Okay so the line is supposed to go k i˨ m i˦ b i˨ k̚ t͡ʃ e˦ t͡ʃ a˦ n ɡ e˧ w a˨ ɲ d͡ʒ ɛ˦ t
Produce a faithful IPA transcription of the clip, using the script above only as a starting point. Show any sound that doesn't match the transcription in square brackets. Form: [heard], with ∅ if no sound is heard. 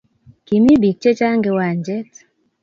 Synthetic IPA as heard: k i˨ m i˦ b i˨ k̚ t͡ʃ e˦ t͡ʃ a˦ [ŋ] ɡ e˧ w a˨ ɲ d͡ʒ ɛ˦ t